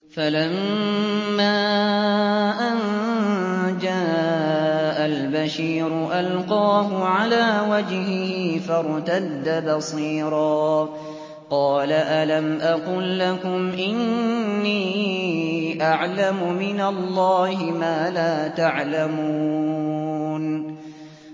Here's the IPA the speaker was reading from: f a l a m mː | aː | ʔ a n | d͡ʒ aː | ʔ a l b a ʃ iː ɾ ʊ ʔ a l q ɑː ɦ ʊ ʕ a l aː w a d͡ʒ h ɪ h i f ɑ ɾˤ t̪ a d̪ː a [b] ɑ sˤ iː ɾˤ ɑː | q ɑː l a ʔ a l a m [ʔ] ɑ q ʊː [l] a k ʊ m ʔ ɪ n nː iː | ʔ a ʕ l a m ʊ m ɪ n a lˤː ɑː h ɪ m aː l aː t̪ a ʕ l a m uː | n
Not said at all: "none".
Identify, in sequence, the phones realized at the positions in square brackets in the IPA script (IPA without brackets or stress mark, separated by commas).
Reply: b, ʔ, lː